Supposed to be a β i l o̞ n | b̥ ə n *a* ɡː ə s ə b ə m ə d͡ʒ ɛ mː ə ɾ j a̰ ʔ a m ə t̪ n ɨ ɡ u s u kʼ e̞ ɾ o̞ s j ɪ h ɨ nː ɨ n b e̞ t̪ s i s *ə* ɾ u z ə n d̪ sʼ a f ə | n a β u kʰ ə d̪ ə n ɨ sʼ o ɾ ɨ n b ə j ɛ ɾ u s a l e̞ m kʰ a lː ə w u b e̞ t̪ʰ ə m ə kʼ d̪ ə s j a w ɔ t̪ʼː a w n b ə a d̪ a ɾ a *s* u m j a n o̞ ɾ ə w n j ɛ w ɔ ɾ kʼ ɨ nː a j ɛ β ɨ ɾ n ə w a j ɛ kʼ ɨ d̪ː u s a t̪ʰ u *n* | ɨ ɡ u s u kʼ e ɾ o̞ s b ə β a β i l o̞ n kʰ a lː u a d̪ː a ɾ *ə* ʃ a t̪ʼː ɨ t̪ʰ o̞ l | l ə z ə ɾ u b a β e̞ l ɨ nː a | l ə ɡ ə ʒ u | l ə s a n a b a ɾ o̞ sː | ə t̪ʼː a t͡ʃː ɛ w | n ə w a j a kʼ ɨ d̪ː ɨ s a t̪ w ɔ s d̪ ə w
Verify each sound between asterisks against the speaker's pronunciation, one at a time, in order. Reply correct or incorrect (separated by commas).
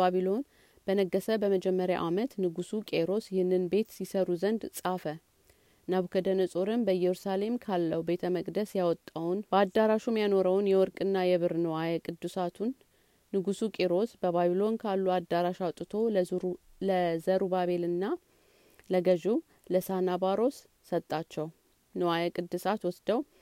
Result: incorrect, correct, incorrect, incorrect, incorrect